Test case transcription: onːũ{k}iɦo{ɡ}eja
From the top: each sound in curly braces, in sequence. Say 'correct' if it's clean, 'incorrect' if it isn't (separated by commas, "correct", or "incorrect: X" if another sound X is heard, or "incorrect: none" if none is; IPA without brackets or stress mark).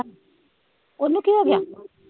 correct, correct